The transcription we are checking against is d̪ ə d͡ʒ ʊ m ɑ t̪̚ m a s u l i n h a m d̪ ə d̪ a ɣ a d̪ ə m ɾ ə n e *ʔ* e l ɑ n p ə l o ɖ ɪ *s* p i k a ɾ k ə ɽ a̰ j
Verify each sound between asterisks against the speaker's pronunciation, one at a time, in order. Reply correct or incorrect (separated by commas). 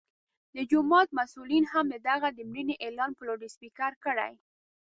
correct, correct